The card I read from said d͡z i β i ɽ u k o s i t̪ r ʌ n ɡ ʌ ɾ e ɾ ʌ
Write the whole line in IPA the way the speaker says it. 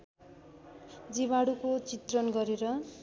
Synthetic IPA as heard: d͡z i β a ɽ u k o t͡s i t̪ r ʌ n ɡ ʌ ɾ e ɾ ʌ